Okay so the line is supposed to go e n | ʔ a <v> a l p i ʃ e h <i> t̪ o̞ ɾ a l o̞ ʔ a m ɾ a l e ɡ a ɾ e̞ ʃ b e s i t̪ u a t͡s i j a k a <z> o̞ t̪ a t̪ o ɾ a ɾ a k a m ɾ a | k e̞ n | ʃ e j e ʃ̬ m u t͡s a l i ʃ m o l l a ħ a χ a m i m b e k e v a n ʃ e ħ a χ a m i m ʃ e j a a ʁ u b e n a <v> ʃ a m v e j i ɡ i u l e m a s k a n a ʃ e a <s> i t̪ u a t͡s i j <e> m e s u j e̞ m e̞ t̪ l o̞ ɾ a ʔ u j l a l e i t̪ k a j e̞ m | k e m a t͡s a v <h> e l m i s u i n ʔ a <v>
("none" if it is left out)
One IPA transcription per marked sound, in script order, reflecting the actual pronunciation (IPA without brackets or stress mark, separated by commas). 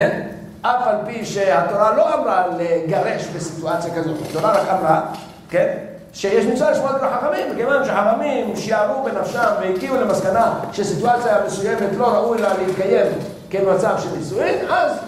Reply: f, a, z, f, s, a, ʃ, z